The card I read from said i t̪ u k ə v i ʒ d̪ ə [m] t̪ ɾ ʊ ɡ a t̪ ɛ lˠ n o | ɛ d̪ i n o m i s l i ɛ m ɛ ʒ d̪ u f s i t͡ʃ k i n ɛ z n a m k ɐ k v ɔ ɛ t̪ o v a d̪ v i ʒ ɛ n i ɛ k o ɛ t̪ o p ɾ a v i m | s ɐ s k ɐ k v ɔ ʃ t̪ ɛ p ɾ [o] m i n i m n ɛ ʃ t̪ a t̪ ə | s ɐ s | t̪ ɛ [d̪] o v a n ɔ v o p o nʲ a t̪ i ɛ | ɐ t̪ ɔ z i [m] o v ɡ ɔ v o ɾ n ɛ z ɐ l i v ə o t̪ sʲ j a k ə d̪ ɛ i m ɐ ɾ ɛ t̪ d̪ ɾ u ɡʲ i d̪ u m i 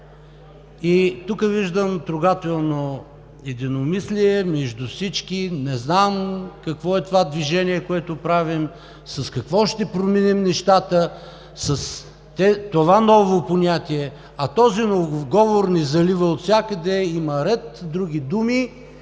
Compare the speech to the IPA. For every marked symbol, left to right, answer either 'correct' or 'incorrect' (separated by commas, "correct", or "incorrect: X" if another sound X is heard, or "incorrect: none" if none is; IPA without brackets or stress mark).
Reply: correct, correct, incorrect: t̪, incorrect: n